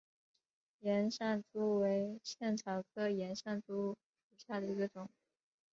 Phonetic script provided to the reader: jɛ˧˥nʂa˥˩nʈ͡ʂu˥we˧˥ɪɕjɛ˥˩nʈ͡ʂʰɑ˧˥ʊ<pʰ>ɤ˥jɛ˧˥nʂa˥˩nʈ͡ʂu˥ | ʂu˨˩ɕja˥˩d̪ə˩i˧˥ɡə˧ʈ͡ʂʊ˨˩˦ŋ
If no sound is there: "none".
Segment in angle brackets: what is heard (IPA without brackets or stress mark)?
kʰ